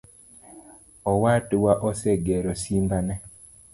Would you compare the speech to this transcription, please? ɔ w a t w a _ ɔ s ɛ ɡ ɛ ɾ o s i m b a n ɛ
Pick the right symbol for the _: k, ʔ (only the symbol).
ʔ